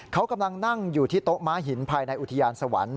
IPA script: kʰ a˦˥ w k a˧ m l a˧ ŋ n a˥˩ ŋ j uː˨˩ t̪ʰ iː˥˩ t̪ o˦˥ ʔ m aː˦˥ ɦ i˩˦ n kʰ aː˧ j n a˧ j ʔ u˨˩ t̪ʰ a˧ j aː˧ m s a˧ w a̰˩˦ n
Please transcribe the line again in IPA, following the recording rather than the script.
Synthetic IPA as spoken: kʰ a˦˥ w k a˧ m l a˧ ŋ n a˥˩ ŋ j uː˨˩ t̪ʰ iː˥˩ t̪ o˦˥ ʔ m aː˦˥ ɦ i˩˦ n pʰ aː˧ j n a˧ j ʔ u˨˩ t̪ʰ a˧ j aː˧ n s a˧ w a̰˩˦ n

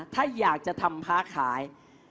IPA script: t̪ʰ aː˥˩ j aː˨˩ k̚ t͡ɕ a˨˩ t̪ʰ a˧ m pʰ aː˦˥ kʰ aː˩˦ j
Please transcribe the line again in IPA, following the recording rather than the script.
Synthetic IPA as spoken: t̪ʰ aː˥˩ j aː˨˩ k̚ t͡ɕ a˨˩ t̪ʰ a˧ m pʰ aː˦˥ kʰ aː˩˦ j

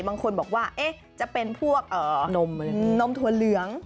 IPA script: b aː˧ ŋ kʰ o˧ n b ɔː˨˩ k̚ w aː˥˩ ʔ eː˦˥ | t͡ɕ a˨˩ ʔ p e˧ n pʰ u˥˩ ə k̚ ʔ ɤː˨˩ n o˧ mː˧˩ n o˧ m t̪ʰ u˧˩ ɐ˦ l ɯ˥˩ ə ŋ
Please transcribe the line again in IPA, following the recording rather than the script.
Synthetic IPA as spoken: b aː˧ ŋ kʰ o˧ n b ɔː˨˩ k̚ w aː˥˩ ʔ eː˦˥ | t͡ɕ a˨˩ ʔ p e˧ n pʰ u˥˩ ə k̚ ʔ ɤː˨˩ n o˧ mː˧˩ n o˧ m t̪ʰ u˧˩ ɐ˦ l ɯ˨˩˦ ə ŋ

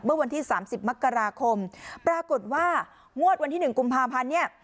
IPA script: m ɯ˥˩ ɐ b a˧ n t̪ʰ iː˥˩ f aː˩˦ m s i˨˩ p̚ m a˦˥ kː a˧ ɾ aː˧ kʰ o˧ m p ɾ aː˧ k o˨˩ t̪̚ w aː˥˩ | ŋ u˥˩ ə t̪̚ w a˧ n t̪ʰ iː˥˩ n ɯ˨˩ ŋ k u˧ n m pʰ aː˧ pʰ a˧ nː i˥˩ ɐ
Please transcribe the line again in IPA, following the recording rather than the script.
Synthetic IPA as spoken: m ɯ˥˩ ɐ w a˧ n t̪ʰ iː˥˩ s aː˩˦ m s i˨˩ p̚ m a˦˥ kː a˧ ɾ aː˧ kʰ o˧ m p ɾ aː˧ k o˨˩ t̪̚ w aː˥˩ | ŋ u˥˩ ə t̪̚ w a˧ n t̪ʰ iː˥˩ n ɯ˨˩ ŋ k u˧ m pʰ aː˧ pʰ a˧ nː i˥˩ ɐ

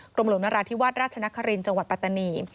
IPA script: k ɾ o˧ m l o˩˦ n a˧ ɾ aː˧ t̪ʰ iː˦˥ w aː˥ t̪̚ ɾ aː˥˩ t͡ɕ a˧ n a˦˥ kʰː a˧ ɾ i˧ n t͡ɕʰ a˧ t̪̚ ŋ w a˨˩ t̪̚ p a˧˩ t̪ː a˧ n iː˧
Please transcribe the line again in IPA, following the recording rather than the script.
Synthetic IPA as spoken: k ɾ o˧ m l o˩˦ n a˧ ɾ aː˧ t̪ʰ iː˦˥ w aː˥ t̪̚ ɾ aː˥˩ t͡ɕʰ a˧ n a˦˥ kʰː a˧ ɾ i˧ n t͡ɕ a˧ ŋ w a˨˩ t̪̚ p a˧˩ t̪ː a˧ n iː˧

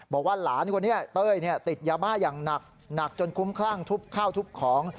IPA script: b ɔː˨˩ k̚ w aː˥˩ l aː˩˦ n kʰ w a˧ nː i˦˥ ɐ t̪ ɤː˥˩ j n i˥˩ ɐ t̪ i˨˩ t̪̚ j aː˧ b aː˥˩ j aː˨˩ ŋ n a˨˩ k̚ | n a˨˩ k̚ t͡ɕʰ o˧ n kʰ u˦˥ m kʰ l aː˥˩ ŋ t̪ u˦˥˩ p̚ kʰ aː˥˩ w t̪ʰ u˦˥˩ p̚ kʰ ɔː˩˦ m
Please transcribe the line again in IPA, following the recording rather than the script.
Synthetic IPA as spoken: b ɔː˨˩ k̚ w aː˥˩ l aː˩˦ n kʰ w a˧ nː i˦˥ ɐ t̪ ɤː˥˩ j n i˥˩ ɐ t̪ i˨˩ t̪̚ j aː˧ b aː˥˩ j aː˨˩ ŋ n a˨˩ k̚ | n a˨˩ k̚ t͡ɕ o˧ n kʰ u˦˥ m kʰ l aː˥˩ ŋ t̪ʰ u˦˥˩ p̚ kʰ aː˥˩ w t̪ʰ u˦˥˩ p̚ kʰ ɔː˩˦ ŋ

